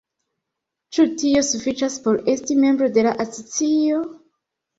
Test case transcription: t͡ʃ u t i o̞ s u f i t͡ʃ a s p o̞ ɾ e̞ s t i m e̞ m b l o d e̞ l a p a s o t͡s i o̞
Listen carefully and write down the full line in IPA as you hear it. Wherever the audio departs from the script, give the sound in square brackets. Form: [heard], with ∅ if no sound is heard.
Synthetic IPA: t͡ʃ u t i o̞ s u f i t͡ʃ a s p o̞ ɾ e̞ s t i m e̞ m b [ɾ] o d e̞ l a [ʔ] a s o t͡s i o̞

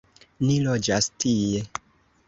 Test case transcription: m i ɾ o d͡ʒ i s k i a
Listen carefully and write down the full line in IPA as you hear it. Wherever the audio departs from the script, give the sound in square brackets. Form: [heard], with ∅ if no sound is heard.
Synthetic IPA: [n] i [l] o d͡ʒ [a] s [t] i [e]

